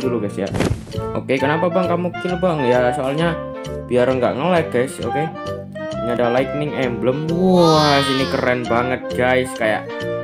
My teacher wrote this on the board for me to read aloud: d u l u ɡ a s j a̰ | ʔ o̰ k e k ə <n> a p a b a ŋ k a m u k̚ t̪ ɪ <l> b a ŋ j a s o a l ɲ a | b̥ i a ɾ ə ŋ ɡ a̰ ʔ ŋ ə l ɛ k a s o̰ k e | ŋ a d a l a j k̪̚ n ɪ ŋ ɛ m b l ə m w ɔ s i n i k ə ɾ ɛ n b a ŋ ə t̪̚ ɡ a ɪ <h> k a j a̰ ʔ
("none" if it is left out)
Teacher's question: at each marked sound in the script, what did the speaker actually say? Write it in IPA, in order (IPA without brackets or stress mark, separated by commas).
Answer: n, l, s